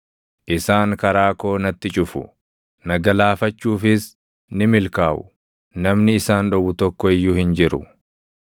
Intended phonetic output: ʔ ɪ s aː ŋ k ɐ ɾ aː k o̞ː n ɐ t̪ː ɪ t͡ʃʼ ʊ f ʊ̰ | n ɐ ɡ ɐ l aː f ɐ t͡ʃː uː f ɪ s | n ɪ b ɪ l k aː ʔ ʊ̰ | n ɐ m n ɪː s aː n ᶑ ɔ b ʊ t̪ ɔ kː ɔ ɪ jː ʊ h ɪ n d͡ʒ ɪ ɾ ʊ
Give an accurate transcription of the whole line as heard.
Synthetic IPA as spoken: ʔ ɪ s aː ŋ k ɐ ɾ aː k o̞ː n ɐ t̪ː ɪ t͡ʃʼ ʊ f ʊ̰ | n ɐ ɡ ɐ l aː f ɐ t͡ʃː uː f ɪ s | n ɪ m ɪ l k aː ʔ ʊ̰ | n ɐ m n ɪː s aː n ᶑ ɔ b ʊ t̪ ɔ kː ɔ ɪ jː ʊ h ɪ n d͡ʒ ɪ ɾ ʊ